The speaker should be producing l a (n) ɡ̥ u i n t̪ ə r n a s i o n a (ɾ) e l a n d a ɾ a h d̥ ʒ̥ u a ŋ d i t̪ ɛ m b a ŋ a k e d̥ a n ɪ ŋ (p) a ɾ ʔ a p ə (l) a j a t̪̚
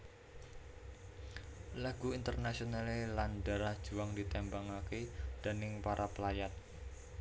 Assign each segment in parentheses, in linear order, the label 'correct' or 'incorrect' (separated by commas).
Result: incorrect, incorrect, correct, correct